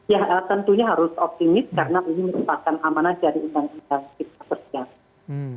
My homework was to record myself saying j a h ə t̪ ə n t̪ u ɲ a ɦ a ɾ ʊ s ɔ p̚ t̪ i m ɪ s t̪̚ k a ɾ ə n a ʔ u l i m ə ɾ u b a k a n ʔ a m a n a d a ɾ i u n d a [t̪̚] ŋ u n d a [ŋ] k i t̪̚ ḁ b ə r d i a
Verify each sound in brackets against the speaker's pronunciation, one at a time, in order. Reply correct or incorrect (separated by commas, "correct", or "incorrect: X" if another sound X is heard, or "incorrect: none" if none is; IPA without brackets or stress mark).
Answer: incorrect: none, correct